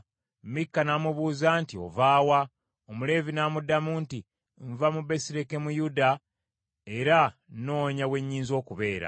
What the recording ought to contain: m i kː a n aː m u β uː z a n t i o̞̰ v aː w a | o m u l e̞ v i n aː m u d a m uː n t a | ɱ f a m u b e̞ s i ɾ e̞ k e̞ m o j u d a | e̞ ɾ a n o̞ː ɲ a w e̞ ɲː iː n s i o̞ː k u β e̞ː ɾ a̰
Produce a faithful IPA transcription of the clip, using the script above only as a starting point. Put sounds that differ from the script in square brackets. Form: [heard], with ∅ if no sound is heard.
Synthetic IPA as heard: m i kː a n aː m u β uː z a n t i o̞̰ v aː w a | o m u l e̞ v i n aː m u d a m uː n t [i] | ɱ [v] a m u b e̞ s i ɾ e̞ k e̞ m [u] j u d a | e̞ ɾ a n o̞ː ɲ a w e̞ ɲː iː n [z] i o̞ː k u β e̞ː ɾ a̰